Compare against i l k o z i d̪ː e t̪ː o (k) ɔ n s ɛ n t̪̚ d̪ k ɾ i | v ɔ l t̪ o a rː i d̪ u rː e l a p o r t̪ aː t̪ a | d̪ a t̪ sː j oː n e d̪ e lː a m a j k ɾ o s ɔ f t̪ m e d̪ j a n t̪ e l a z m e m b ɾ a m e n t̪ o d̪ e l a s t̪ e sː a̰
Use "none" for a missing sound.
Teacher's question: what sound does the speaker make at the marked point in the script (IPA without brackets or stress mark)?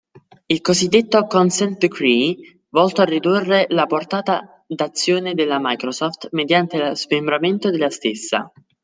k